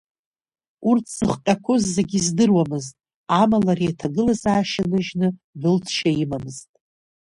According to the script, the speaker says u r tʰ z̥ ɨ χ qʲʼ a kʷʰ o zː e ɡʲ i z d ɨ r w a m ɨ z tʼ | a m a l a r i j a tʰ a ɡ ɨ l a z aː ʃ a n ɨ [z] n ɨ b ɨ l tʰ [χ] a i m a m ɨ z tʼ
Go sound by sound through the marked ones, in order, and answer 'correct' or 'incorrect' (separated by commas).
incorrect, incorrect